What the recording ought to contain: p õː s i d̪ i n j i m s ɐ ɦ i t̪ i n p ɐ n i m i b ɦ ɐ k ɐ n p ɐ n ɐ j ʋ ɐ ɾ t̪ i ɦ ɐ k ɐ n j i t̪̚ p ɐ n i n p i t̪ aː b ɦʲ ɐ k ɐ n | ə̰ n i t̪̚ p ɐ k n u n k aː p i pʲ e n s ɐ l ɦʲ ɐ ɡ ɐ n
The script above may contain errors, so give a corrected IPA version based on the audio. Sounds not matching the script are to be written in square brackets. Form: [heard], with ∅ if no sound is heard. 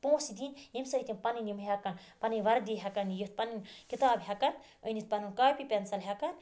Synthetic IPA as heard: p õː s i d̪ i n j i m s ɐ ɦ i t̪ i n p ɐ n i [n] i [m] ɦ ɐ k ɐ n p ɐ n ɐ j ʋ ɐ ɾ [d̪] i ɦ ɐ k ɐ n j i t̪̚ p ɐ n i n [k] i t̪ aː b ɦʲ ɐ k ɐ n | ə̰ n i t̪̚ p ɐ [∅] n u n k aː p i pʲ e n s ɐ l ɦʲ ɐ [k] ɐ n